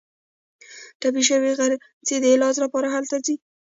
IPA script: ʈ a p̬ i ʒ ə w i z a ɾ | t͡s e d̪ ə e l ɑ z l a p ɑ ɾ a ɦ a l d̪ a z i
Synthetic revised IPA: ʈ a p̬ i ʃ ə w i ɣ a ɾ | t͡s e d̪ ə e l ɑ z l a p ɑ ɾ a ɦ a l t̪ a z i